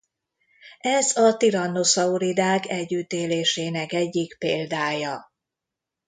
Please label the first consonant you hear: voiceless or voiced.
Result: voiced